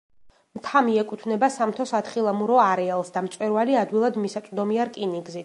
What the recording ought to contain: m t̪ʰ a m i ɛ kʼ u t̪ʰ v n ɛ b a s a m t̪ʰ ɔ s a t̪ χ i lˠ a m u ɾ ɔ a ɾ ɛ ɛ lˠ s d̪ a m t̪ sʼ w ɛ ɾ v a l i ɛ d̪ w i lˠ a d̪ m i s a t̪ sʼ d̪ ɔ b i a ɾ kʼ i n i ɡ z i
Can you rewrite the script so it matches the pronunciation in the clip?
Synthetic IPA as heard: m t̪ʰ a m i ɛ kʼ u t̪ʰ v n ɛ b a s a m t̪ʰ ɔ s a t̪ χ i lˠ a m u ɾ ɔ a ɾ ɛ a lˠ s d̪ a m t̪ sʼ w ɛ ɾ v a l i a d̪ w i lˠ a d̪ m i s a t̪ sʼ d̪ ɔ m i a ɾ kʼ i n i ɡ z i